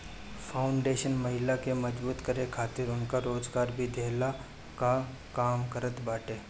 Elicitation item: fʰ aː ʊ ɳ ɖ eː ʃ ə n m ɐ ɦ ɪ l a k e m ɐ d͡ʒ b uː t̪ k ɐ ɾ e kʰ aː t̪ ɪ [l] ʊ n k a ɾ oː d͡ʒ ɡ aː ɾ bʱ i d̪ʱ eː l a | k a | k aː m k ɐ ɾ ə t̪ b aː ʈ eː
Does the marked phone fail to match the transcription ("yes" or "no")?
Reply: yes